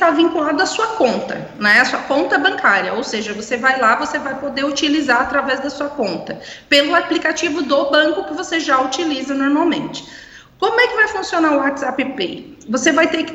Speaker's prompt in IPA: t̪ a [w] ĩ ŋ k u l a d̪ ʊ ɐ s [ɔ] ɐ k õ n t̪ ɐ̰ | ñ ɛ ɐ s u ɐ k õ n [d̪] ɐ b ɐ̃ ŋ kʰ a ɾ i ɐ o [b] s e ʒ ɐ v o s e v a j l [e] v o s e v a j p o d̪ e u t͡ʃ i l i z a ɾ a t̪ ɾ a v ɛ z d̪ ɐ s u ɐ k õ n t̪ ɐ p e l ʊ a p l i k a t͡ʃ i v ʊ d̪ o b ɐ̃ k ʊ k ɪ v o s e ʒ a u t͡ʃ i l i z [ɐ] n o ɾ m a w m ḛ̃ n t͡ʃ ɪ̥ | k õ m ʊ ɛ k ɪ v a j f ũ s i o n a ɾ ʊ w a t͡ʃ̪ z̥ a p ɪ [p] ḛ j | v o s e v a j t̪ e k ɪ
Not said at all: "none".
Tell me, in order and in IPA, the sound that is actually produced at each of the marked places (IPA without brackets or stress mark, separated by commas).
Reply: v, u, t̪, w, a, ɐ, p